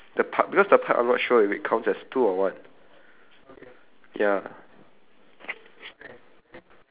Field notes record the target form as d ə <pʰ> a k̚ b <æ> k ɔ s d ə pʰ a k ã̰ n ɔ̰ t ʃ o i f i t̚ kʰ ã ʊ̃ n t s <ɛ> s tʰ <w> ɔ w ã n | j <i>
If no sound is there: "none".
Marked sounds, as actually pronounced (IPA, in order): pʰ, i, ɛ, u, a

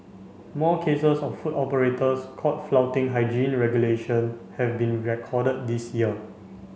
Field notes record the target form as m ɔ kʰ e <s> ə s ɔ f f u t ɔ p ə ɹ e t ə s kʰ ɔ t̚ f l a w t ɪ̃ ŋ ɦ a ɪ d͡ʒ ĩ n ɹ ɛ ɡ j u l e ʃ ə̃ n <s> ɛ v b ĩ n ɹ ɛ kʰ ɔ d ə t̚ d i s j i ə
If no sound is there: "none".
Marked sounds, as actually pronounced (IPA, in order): s, h

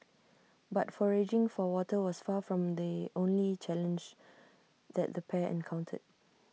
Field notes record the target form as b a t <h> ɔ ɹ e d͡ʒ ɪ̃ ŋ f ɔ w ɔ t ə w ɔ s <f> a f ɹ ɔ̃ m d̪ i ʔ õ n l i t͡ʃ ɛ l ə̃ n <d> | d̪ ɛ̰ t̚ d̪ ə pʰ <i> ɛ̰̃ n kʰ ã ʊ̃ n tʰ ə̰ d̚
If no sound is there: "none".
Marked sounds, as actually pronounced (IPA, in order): f, f, d͡ʒ, ɛ

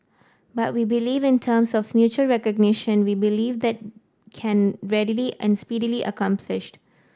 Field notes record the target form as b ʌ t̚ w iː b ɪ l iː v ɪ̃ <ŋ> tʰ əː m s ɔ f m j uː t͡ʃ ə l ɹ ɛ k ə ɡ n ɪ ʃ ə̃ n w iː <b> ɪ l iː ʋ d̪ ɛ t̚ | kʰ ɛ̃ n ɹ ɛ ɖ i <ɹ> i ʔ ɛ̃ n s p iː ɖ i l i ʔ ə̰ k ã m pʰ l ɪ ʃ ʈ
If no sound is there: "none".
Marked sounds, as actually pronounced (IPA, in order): n, b, l

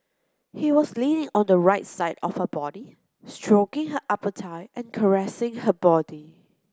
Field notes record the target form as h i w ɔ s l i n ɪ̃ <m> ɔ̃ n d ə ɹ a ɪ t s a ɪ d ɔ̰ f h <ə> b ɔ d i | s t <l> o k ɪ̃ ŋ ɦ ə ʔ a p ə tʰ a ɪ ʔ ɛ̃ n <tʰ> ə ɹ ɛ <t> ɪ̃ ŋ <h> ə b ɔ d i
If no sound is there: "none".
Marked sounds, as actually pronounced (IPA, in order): ŋ, ə, ɹ, kʰ, s, h

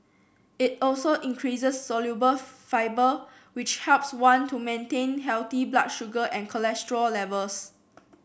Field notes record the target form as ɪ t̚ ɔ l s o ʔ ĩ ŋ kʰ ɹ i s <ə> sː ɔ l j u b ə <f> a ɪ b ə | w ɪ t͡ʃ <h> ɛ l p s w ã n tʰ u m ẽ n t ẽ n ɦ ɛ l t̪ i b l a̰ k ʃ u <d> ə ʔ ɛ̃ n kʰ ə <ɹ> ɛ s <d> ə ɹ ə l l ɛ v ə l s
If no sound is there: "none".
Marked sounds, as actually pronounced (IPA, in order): ə, f, h, ɡ, l, t

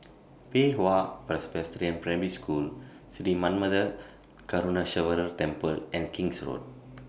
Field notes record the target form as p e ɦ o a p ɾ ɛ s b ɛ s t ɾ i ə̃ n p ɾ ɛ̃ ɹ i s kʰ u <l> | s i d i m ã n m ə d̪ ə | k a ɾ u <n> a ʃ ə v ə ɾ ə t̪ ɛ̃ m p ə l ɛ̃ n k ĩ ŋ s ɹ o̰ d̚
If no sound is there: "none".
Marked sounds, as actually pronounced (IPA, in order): l, n

